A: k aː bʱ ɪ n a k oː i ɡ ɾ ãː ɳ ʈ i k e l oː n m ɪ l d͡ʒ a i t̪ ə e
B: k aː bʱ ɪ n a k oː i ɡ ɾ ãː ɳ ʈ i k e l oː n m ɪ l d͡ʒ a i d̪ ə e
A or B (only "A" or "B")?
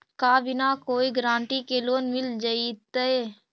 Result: A